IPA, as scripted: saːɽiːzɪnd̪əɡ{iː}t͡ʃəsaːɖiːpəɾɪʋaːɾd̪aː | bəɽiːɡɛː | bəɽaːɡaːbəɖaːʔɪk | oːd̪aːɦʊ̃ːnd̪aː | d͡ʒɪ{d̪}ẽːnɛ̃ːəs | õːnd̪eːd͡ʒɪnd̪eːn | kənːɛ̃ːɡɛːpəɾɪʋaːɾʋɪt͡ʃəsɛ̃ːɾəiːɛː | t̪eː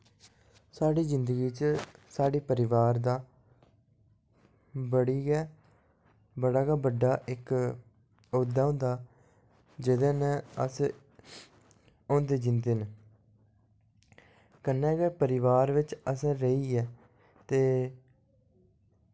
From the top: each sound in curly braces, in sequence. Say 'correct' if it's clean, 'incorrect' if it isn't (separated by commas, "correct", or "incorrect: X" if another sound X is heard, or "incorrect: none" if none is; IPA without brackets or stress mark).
correct, correct